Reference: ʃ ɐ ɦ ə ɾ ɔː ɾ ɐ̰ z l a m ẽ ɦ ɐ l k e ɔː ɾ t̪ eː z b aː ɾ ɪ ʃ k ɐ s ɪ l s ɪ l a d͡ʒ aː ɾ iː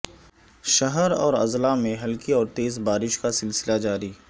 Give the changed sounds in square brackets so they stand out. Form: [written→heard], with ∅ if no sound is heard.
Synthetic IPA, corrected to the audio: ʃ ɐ ɦ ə ɾ ɔː ɾ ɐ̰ z l a m ẽ ɦ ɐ l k [e→i] ɔː ɾ t̪ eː z b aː ɾ ɪ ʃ k [ɐ→a] s ɪ l s ɪ l a d͡ʒ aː ɾ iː